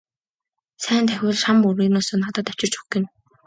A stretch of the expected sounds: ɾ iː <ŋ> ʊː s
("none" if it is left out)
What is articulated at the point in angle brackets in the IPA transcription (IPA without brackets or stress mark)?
n